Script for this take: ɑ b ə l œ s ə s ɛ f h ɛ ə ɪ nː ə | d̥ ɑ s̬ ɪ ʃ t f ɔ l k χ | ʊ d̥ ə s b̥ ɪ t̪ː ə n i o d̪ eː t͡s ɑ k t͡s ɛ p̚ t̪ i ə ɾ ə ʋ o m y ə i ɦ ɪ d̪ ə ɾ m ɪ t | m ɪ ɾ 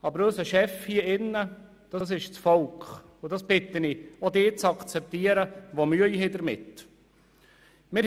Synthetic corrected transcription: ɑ b ə ɾ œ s ə ʃ ɛ f h i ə ɪ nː ə | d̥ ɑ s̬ ɪ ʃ t͡s f ɔ l k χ | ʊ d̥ ɑ s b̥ ɪ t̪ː ə n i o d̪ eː t͡s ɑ k t͡s ɛ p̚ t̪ i ə ɾ ə ʋ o m y ə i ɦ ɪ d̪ ə ɾ m ɪ t | m ɪ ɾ

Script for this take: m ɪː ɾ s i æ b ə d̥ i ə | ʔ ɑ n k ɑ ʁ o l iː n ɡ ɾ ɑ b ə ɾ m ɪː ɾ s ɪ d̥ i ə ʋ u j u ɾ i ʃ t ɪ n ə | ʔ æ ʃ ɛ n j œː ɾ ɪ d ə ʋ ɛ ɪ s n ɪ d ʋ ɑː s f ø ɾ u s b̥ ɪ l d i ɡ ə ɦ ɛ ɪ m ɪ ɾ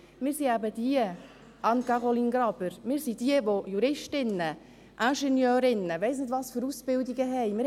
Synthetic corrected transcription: m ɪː ɾ s i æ b ə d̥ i ə | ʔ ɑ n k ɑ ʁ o l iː n ɡ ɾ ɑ b ə ɾ m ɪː ɾ s i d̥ i ə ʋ o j u ɾ ɪ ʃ t ɪ n ə | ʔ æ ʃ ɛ n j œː ɾ ɪ n ə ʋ ɛ ɪ s n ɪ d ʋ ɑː s f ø ɾ u s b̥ ɪ l d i ɡ ə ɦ ɛ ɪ m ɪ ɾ

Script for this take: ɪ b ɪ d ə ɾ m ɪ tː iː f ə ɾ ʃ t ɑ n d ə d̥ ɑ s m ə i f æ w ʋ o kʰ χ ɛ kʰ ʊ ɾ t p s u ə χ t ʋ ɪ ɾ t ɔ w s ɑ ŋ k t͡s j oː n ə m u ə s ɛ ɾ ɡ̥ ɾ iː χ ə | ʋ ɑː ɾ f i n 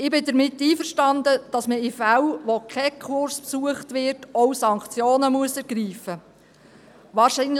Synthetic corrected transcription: ɪ b ɪ d ə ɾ m ɪ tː iː f ə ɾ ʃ t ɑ n d ə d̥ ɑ s m ə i f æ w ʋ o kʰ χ ɛ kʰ ʊ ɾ s p s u ə χ t ʋ ɪ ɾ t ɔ w s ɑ ŋ k t͡s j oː n ə m u ə s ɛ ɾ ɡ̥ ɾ iː f ə | ʋ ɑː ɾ ʃ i n

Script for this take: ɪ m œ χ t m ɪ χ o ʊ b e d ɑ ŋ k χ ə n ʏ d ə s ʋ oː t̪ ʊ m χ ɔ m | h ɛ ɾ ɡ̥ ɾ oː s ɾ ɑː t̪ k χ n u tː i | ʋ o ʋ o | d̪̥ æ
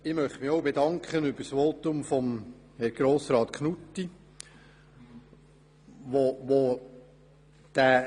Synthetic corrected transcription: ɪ m œ χ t m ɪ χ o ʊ b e d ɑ ŋ k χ ə n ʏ b ə s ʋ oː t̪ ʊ m f ɔ m | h ɛ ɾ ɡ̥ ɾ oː s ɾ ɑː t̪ k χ n u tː i | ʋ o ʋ o | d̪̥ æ

